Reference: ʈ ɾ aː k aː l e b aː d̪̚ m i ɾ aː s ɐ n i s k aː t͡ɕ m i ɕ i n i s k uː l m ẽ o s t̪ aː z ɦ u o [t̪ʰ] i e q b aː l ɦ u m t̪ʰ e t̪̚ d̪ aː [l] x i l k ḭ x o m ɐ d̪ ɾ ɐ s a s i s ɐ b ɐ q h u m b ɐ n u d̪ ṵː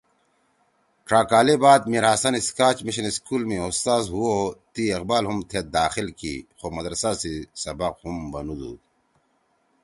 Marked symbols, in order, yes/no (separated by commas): no, no